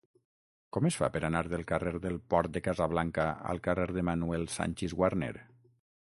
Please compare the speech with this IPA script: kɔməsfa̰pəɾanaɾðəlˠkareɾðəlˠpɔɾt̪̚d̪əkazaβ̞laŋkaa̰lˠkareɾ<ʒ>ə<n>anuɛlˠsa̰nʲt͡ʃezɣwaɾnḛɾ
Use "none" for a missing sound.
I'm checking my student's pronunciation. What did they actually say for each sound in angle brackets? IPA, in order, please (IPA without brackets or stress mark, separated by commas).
ð, m